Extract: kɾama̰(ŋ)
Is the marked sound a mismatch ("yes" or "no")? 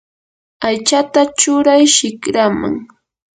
no